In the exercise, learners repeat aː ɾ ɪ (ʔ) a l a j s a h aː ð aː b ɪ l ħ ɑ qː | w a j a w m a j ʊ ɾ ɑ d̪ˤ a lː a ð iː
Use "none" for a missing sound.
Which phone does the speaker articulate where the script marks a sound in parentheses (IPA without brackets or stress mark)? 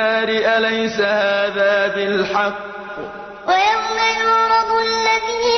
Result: ʔ